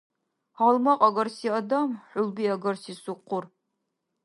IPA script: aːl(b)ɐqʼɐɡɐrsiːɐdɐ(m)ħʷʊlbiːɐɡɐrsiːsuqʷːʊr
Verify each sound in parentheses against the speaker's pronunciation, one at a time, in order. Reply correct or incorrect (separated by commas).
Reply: incorrect, correct